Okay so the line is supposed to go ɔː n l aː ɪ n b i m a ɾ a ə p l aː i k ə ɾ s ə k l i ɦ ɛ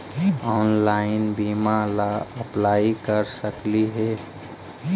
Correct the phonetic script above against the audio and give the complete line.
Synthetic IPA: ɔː n l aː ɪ n b i m a l a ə p l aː i k ə ɾ s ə k l i ɦ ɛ

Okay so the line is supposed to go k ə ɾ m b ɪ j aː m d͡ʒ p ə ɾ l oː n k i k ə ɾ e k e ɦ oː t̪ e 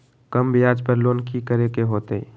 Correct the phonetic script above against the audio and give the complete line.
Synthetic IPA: k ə m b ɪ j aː d͡ʒ p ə ɾ l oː n k i k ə ɾ e k e ɦ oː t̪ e

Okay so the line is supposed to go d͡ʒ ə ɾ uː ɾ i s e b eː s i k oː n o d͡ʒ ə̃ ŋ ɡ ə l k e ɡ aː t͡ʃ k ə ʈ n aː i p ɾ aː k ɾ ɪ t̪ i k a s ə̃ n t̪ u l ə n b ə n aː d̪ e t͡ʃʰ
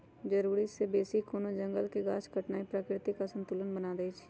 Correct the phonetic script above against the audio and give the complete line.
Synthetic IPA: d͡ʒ ə ɾ uː ɾ i s e b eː s i k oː n o d͡ʒ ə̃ ŋ ɡ ə l k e ɡ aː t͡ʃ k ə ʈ n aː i p ɾ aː k ɾ ɪ t̪ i k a s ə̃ n t̪ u l ə n b ə n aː d̪ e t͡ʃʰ

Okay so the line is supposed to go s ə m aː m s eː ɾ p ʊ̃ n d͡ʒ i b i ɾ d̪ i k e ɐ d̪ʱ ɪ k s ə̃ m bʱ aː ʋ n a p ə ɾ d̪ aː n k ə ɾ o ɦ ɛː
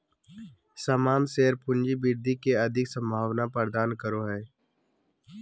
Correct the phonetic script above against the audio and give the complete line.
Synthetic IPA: s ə m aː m s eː ɾ p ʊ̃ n d͡ʒ i b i ɾ d̪ i k e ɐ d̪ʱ ɪ k s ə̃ m bʱ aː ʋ n a p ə ɾ d̪ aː n k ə ɾ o ɦ ɛː

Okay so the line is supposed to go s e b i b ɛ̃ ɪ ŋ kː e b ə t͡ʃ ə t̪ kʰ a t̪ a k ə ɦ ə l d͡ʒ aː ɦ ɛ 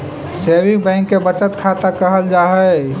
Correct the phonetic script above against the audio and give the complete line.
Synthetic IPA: s e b i b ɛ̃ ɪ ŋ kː e b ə t͡ʃ ə t̪ kʰ a t̪ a k ə ɦ ə l d͡ʒ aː ɦ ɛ

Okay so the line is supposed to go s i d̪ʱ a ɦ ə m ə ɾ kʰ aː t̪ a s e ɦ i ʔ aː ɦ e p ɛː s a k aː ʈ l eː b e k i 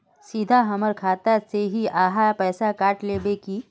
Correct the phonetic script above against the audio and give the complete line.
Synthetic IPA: s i d̪ʱ a ɦ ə m ə ɾ kʰ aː t̪ a s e ɦ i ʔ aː ɦ a p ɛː s a k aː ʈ l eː b e k i

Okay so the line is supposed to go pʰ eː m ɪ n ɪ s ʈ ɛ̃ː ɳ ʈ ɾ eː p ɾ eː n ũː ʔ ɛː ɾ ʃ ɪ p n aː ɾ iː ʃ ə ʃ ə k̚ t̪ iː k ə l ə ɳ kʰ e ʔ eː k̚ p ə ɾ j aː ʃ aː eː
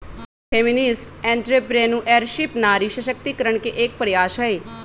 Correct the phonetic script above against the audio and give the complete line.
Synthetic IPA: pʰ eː m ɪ n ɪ s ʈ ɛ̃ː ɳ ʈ ɾ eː p ɾ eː n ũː ʔ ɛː ɾ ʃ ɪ p n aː ɾ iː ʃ ə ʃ ə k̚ t̪ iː k ə ɾ ə ɳ k e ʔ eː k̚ p ə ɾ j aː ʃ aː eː

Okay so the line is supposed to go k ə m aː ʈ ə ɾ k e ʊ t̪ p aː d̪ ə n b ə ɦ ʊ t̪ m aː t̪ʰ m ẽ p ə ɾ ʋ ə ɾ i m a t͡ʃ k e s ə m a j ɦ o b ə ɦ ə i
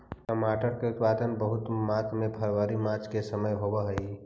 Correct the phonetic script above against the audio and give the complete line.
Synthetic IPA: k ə m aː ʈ ə ɾ k e ʊ t̪ p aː d̪ ə n b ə ɦ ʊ t̪ m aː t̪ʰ m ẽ pʰ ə ɾ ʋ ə ɾ i m a t͡ʃ k e s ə m ə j ɦ o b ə ɦ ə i

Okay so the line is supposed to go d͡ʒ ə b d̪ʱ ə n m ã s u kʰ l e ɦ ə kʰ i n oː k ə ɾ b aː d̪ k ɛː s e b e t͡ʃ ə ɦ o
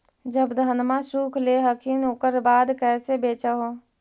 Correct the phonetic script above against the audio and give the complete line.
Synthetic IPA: d͡ʒ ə b d̪ʱ ə n m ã s u kʰ l e ɦ ə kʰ i n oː k ə ɾ b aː d̪ k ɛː s e b e t͡ʃ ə ɦ o

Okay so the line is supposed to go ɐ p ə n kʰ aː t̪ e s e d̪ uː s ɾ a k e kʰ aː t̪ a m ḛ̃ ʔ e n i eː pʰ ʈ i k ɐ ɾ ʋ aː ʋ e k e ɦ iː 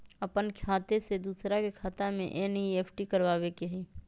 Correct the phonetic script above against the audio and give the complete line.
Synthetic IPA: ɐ p ə n kʰ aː t̪ e s e d̪ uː s ɾ a k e kʰ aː t̪ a m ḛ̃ ʔ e n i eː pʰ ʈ i k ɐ ɾ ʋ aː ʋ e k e ɦ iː

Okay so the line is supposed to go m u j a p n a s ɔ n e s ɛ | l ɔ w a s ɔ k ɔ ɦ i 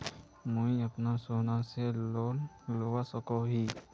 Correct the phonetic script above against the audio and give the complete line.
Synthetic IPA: m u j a p n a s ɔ n a s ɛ | l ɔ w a s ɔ k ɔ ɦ i

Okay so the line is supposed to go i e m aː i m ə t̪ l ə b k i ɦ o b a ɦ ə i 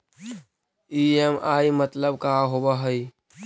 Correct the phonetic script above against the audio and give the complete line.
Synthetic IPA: i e m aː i m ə t̪ l ə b k a ɦ o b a ɦ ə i

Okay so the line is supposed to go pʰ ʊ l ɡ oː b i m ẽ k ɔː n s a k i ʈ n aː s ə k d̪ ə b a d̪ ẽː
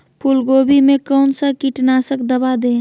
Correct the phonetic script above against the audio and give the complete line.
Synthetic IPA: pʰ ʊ l ɡ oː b i m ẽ k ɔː n s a k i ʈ n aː s ə k d̪ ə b a d̪ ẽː

